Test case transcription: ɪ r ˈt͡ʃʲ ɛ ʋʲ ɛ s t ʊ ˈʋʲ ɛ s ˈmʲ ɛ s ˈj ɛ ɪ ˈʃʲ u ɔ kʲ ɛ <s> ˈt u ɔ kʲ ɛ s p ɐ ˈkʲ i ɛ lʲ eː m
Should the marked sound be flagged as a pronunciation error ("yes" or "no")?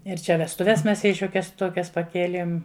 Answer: no